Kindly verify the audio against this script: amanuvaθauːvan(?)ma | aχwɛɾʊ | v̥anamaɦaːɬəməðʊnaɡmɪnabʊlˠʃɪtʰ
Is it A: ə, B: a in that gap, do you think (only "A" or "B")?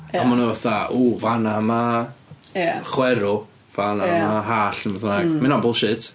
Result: B